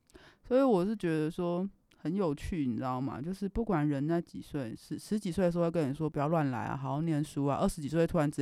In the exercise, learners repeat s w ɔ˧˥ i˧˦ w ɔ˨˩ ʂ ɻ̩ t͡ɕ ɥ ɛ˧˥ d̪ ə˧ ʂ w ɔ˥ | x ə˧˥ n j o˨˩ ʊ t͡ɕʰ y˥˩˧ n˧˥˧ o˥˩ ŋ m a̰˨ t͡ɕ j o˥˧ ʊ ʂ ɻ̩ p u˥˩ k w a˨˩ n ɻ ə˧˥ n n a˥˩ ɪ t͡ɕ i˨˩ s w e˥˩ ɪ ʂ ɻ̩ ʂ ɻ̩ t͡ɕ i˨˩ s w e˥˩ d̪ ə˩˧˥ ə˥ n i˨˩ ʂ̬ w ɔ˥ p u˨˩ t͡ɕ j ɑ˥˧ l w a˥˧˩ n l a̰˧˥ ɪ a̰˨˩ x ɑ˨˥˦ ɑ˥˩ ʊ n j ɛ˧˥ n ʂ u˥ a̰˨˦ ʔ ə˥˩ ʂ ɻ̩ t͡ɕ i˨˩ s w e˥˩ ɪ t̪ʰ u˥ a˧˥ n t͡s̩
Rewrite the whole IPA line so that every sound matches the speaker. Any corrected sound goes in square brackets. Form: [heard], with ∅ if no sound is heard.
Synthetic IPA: s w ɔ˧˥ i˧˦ w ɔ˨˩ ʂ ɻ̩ t͡ɕ ɥ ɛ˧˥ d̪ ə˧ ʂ w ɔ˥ | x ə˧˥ n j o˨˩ ʊ t͡ɕʰ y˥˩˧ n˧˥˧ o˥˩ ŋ m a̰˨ t͡ɕ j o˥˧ ʊ ʂ ɻ̩ p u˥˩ k w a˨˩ n ɻ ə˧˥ n n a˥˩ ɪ t͡ɕ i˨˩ s w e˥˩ ɪ ʂ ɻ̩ ʂ ɻ̩ t͡ɕ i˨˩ s w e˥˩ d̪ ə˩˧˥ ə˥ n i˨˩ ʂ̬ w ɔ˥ p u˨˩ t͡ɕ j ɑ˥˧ l w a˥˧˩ n l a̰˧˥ ɪ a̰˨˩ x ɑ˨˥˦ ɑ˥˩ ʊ n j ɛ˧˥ n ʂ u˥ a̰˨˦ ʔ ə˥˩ ʂ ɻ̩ t͡ɕ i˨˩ s w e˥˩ ɪ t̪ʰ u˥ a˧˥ n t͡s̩